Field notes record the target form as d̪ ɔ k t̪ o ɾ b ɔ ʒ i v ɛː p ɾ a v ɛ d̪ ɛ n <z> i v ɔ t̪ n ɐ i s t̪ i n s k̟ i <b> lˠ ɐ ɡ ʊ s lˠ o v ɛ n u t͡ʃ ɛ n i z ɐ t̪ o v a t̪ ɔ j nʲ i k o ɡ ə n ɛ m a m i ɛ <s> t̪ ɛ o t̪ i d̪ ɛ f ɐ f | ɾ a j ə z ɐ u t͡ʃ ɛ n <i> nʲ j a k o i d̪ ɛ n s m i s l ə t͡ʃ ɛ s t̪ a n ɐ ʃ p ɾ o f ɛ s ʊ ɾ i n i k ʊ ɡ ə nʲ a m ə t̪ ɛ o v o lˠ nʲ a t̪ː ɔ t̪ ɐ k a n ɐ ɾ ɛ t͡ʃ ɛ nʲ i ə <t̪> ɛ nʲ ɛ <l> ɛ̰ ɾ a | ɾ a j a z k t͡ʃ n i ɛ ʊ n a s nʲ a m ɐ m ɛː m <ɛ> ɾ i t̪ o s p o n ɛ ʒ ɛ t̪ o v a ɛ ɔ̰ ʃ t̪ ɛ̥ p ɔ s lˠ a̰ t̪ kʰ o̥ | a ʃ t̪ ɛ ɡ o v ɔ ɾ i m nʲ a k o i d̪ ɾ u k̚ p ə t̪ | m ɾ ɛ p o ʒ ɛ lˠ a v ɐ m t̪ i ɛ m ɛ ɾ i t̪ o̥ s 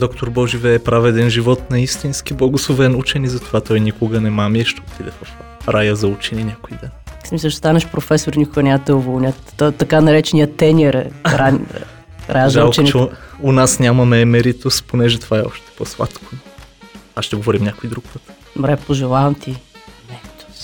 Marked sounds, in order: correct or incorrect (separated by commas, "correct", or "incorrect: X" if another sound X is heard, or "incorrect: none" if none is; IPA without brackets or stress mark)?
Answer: incorrect: ʒ, correct, incorrect: ʃ, correct, correct, incorrect: ɾ, correct